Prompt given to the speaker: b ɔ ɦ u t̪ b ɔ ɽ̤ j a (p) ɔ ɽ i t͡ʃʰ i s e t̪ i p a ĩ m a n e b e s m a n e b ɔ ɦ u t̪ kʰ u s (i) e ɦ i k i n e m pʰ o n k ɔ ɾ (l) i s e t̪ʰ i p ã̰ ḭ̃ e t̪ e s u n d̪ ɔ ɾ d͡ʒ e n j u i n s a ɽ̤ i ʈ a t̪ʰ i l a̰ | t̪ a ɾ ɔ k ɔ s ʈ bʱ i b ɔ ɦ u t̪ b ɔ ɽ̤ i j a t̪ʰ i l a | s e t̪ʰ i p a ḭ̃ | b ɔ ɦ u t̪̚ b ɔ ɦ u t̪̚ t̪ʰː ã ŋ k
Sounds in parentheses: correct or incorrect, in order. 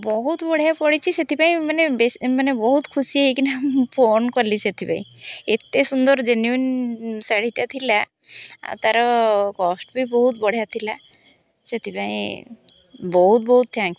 correct, correct, correct

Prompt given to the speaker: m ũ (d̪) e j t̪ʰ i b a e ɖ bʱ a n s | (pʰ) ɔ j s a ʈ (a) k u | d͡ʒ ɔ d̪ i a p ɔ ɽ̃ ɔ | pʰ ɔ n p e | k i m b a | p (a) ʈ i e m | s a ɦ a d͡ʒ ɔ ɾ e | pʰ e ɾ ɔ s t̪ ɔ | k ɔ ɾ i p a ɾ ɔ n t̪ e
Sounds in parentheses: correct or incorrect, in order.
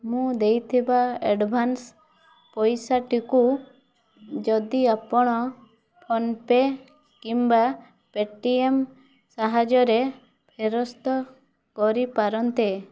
correct, incorrect, incorrect, incorrect

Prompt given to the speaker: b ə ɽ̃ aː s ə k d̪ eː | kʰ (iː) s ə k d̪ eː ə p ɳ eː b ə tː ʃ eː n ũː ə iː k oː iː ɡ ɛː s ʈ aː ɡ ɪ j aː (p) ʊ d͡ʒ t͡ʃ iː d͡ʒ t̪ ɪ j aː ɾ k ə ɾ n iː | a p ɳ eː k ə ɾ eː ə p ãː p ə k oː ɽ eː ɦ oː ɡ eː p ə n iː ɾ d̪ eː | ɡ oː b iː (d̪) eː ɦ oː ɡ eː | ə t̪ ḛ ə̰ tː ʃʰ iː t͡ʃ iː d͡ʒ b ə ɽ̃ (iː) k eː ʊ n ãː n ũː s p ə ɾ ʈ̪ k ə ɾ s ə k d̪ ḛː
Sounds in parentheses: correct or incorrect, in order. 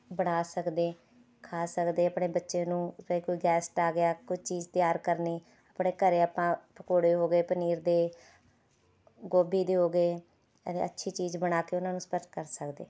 incorrect, incorrect, correct, incorrect

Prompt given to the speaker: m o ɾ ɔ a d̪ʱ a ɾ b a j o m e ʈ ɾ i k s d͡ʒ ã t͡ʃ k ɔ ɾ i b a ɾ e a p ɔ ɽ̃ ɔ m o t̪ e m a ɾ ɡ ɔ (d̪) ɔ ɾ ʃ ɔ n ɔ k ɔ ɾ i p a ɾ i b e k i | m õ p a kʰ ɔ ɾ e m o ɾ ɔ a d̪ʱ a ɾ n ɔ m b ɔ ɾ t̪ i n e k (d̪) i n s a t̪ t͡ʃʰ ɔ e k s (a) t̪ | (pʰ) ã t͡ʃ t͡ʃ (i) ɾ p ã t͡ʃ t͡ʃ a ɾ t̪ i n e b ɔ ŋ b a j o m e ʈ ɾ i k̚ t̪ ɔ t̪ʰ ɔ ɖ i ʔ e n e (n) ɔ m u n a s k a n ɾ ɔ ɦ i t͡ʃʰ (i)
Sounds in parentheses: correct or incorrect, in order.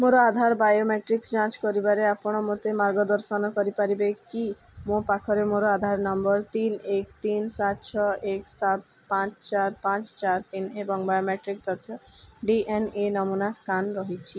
correct, incorrect, correct, incorrect, incorrect, correct, correct

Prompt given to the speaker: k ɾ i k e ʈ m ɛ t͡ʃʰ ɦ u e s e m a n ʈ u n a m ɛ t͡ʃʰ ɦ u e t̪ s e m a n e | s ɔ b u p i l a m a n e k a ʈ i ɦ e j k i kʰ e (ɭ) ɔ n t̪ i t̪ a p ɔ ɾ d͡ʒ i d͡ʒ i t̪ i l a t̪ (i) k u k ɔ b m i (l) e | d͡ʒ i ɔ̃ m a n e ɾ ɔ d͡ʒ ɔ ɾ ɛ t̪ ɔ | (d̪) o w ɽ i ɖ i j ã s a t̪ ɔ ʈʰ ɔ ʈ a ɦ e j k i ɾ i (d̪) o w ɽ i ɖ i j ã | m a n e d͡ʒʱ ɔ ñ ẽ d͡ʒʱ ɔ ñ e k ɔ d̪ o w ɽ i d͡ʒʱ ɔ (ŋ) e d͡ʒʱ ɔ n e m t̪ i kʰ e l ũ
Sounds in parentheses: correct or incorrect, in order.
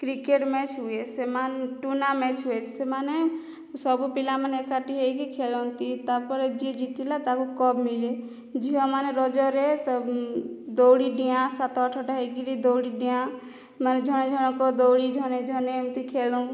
incorrect, incorrect, correct, correct, correct, incorrect

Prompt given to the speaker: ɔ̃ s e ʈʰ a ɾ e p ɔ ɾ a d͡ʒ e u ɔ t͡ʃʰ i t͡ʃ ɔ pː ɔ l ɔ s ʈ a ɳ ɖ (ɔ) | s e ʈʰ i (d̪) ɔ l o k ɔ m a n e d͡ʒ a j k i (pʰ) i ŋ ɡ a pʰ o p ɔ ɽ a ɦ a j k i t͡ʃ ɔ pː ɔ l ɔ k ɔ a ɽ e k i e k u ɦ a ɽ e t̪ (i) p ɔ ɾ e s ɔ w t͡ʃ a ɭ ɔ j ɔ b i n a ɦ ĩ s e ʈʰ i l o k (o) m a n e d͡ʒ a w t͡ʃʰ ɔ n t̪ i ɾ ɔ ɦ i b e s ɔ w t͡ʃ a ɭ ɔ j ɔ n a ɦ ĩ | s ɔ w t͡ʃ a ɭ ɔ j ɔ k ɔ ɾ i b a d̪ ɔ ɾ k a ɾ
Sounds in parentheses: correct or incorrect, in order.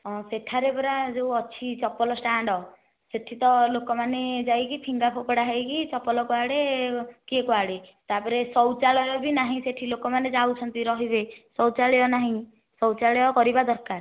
correct, incorrect, correct, incorrect, incorrect

